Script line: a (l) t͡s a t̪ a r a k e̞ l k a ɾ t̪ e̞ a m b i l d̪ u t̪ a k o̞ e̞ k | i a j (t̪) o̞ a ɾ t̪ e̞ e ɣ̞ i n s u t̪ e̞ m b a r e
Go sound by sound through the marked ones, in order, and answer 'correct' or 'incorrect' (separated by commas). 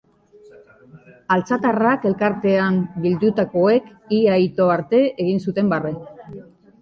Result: correct, correct